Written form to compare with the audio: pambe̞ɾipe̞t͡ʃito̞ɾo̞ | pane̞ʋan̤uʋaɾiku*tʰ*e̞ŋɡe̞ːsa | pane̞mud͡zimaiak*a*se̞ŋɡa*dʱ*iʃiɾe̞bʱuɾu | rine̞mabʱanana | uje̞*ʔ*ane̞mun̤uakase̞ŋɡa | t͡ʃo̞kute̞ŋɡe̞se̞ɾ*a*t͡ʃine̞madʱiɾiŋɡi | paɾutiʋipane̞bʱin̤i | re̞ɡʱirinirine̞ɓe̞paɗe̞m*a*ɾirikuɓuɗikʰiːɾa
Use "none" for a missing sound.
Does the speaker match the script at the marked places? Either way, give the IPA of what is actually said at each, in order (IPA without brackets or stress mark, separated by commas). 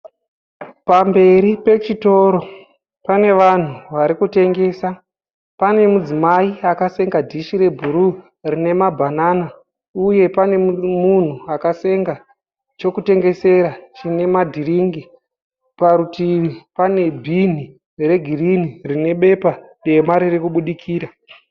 t, a, dʱ, p, a, a